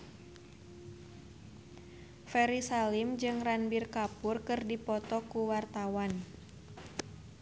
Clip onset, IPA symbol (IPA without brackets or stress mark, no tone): f